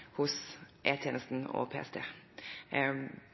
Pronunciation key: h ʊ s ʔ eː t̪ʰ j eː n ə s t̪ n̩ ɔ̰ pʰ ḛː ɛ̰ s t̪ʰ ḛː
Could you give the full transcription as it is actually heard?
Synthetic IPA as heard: h ʊ s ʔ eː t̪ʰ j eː n ə s t̪ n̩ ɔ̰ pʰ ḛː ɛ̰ s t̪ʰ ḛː